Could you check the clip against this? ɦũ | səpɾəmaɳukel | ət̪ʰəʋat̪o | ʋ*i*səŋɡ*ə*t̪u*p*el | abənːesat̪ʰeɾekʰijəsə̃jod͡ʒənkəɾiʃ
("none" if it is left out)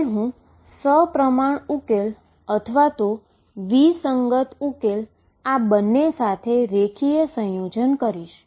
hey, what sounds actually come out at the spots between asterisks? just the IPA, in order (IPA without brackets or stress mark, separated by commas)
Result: i, ə, k